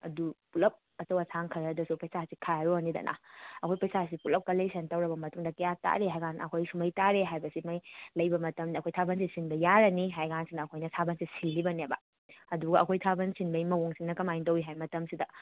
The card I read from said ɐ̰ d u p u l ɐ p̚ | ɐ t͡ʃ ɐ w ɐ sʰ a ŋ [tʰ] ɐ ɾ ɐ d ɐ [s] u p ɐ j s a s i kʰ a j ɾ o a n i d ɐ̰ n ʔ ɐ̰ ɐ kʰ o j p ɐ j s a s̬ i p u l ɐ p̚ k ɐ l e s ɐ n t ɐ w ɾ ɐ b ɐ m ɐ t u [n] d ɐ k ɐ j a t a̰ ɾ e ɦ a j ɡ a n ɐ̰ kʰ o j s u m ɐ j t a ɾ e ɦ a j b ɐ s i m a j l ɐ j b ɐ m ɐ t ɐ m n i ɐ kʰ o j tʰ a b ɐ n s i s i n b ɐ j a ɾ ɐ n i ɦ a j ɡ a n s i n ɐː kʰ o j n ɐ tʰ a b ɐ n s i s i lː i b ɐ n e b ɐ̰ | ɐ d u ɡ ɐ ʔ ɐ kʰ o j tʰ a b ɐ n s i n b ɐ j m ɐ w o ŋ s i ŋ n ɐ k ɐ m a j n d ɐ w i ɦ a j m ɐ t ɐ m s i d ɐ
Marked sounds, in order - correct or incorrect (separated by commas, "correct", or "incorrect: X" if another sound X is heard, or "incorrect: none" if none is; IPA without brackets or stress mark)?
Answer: incorrect: kʰ, correct, incorrect: ŋ